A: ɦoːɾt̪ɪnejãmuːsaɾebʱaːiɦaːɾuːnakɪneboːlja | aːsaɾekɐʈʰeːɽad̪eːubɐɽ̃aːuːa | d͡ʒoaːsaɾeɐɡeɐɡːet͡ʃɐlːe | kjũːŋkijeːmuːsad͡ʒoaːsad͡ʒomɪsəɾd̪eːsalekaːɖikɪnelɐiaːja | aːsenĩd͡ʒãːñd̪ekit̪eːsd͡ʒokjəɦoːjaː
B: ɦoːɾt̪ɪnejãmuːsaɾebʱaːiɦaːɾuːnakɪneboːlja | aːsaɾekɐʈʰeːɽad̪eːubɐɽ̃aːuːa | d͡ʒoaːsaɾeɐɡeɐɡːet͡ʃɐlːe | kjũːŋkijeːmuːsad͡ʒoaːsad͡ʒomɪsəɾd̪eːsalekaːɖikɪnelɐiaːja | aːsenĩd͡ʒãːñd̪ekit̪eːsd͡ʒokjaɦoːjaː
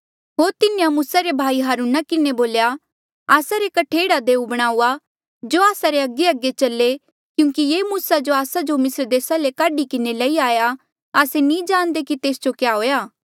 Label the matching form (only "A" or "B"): B